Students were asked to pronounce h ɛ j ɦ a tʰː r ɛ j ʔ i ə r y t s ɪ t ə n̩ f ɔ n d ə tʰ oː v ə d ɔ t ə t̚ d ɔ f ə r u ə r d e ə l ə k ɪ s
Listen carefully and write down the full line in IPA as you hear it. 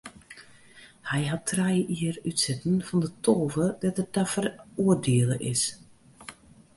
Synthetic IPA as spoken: h ɛ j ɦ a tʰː r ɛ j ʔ i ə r y t s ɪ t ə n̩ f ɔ n d ə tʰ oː v ə d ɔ t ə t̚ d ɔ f ə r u ə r d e ə l ə ʔ ɪ s

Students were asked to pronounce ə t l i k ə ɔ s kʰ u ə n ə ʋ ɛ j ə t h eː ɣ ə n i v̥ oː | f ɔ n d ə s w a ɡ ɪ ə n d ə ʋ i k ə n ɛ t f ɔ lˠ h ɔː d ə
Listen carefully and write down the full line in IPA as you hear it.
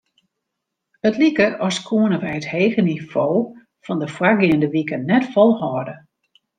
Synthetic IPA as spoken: ə t l i k ə ɔ s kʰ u ə n ə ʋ ɛ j ə t h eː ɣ ə n i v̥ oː | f ɔ n d ə f w a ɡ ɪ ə n d ə ʋ i k ə n ɛ t f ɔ lˠ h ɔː d ə

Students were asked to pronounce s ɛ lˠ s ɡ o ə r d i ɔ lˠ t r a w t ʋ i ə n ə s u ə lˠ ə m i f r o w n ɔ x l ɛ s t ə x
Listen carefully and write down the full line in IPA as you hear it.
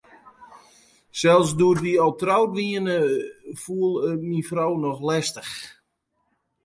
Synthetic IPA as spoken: s ɛ lˠ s d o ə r d i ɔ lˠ t r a w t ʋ i ə n ə f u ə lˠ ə m i f r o w n ɔ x l ɛ s t ə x

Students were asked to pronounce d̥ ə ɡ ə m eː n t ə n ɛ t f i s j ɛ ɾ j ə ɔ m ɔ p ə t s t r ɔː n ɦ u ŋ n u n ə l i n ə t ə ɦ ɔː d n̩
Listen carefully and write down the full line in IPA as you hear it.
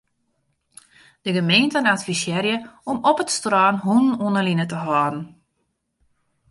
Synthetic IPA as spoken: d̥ ə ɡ ə m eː n t ə n a t f i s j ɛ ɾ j ə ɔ m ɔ p ə t s t r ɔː n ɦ u n n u n ə l i n ə t ə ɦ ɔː d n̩

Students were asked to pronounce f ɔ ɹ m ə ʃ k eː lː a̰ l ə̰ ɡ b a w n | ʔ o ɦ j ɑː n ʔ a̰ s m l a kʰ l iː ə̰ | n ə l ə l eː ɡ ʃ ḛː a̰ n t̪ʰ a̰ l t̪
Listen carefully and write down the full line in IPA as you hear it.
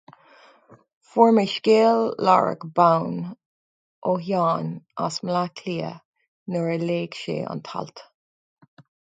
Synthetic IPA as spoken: f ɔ ɹ m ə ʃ k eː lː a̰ ɹ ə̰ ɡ b a w n | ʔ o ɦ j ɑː n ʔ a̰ s m l a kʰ l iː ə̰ | n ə ɹ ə l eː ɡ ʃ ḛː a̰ n t̪ʰ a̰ l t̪

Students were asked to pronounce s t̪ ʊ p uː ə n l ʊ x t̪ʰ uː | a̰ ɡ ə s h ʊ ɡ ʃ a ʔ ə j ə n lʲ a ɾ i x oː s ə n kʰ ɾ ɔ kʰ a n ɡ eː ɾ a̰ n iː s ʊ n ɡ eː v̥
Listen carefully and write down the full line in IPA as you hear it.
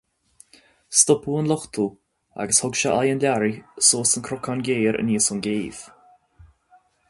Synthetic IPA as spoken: s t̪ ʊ p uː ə n l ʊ x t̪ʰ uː | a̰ ɡ ə s h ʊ ɡ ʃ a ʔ a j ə n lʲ a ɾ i s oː s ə n kʰ ɾ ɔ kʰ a n ɡ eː ɾ ə̰ n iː s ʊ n ɡ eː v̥

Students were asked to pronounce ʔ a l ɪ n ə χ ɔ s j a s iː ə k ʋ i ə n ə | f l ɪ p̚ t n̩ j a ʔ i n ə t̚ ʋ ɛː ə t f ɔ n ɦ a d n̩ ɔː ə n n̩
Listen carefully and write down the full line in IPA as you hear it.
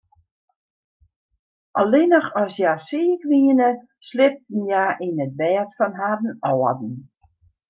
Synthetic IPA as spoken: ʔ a l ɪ n ə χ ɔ s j a s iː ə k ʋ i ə n ə | s l ɪ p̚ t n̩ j a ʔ i n ə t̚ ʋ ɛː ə t f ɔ n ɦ a d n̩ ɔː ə d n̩

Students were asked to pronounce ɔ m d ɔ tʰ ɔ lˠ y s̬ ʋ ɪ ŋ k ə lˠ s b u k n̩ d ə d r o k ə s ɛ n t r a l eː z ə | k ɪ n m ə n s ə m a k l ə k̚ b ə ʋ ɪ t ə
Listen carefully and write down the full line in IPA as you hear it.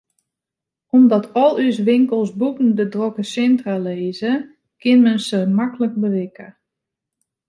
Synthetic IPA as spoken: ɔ m d ɔ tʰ ɔ lˠ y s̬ ʋ ɪ ŋ k ə lˠ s b u k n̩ d ə d r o k ə s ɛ n t r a l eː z ə | k ɪ n m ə n s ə m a k l ə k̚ b ə ʋ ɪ k ə

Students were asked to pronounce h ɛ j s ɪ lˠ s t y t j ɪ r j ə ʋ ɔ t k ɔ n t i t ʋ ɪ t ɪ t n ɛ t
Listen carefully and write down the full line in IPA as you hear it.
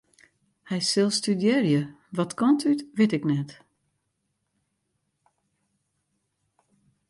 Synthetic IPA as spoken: h ɛ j s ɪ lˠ s t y d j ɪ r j ə ʋ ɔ t k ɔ n t y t ʋ ɪ t ɪ k n ɛ t

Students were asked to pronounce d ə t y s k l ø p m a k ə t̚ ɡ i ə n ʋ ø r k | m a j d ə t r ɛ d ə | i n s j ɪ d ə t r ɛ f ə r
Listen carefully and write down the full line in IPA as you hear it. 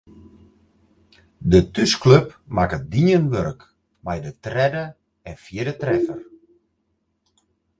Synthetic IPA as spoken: d ə t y s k l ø p m a k ə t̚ d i ə n ʋ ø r k | m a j d ə t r ɛ d ə | ɛ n f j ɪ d ə t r ɛ f ə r

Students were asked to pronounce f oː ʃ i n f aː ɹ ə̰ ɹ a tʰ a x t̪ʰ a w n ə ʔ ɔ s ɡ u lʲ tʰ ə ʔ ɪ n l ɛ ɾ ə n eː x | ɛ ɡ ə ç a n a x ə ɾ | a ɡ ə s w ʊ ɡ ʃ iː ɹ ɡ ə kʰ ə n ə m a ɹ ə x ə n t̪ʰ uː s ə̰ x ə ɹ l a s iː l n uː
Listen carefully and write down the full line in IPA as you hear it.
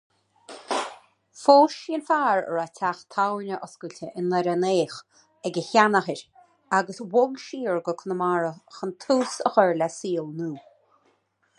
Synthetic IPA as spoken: f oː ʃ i n f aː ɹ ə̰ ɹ a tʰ a x t̪ʰ a w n ə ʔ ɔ s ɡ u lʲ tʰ ə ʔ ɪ n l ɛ ɾ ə n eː x | ɛ ɡ ə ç a n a x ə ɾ | a ɡ ə s w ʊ ɡ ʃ iː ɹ ɡ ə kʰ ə n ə m a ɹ ə x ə n t̪ʰ uː s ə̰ x ə ɹ l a s iː l n uː

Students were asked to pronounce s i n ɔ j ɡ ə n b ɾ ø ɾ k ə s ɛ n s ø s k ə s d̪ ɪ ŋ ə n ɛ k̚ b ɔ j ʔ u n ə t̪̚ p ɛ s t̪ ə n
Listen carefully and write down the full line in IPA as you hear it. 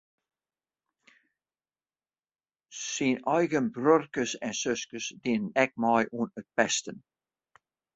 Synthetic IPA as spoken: s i n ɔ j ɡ ə n b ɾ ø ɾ k ə s ɛ n s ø s k ə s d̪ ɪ n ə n ɛ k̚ m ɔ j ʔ u n ə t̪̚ p ɛ s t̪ ə n

